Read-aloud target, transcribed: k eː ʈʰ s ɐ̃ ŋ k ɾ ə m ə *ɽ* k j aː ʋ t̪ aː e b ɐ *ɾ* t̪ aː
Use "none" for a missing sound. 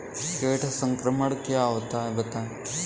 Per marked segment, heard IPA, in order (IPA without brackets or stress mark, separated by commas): ɽ, none